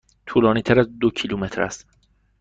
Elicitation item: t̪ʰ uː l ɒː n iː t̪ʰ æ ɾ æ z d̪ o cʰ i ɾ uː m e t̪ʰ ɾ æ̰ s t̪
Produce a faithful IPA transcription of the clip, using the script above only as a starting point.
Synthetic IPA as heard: t̪ʰ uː l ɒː n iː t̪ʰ æ ɾ æ z d̪ o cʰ i l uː m e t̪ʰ ɾ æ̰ s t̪